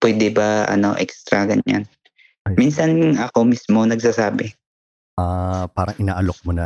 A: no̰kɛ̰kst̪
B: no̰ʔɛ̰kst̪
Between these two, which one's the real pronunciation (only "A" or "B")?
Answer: B